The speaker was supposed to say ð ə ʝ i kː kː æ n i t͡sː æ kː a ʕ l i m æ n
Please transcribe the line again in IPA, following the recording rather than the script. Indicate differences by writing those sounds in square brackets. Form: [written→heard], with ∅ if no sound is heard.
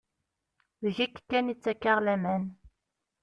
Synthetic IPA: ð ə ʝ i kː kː æ n i t͡sː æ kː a [ʕ→ʁ] l [i→æ] m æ n